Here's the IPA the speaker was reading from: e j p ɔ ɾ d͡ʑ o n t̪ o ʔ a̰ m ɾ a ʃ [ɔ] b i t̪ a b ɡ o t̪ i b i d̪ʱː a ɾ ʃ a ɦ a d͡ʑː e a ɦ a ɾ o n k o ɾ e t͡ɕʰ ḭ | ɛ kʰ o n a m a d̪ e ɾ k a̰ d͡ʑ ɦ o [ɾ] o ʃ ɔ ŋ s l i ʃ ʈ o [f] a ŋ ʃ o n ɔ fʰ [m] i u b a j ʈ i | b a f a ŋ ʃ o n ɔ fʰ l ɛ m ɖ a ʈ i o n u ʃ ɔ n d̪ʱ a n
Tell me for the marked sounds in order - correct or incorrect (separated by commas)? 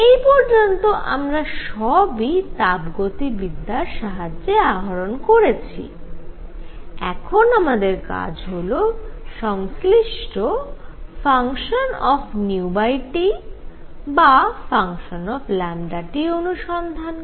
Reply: correct, incorrect, correct, incorrect